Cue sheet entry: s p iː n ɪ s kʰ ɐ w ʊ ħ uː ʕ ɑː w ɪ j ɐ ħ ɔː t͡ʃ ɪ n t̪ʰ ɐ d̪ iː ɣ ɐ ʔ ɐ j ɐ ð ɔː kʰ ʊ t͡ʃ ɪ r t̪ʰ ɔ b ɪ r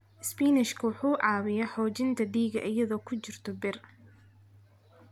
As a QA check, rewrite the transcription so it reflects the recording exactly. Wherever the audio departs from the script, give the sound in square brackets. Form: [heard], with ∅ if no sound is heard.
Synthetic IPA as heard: s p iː n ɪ [ʃ] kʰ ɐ w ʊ ħ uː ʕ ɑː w ɪ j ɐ ħ ɔː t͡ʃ ɪ n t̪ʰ ɐ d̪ iː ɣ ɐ ʔ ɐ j ɐ ð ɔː kʰ ʊ t͡ʃ ɪ r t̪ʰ ɔ b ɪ r